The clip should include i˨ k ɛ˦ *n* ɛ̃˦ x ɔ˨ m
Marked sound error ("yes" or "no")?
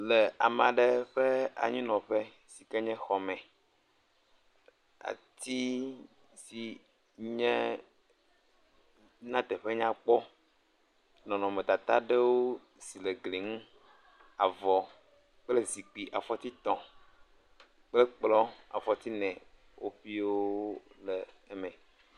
yes